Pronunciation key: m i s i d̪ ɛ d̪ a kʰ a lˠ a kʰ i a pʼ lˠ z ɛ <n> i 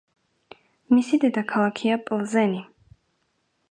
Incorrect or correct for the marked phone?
correct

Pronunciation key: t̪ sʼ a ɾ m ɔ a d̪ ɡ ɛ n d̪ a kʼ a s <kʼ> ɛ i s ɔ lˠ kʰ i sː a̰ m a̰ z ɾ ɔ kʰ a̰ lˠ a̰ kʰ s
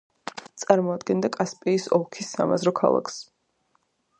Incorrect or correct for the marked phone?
incorrect: pʼ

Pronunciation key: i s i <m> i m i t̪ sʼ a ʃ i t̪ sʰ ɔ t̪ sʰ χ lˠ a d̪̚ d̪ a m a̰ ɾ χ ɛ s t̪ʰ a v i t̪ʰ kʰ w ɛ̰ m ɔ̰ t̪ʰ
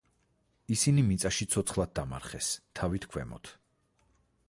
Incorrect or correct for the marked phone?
incorrect: n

